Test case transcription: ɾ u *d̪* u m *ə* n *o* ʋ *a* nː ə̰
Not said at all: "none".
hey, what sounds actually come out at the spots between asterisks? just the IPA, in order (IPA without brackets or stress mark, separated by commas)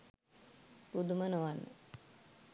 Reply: d̪, ə, o, a